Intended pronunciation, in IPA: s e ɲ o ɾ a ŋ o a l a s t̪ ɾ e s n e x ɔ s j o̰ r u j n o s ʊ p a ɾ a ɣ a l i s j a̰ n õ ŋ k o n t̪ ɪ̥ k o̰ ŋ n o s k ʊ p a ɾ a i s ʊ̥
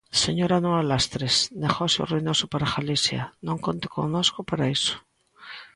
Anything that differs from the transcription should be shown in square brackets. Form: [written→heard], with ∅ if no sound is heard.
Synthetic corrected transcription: s e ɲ o ɾ a [ŋ→n] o a l a s t̪ ɾ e s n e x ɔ s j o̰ r u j n o s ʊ p a ɾ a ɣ a l i s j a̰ n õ ŋ k o n t̪ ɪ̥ k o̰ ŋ n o s k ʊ p a ɾ a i s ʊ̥